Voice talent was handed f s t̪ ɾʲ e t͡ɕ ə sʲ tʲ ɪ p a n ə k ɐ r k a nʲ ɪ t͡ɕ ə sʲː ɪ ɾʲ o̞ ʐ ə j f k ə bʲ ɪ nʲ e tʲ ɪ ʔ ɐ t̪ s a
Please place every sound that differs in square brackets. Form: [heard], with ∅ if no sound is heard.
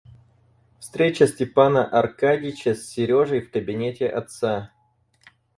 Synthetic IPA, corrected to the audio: f s t̪ ɾʲ e t͡ɕ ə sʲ tʲ ɪ p a n ə [ʔ] ɐ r k a [dʲ] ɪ t͡ɕ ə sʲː ɪ ɾʲ o̞ ʐ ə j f k ə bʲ ɪ nʲ e tʲ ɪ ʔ ɐ t̪ s a